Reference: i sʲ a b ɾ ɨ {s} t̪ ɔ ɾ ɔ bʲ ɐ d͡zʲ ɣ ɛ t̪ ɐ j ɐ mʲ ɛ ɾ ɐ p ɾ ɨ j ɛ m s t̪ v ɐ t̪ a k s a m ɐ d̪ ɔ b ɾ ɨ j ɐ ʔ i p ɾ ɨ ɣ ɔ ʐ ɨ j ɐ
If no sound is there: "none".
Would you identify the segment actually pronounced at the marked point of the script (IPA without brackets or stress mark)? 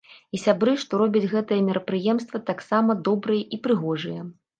ʂ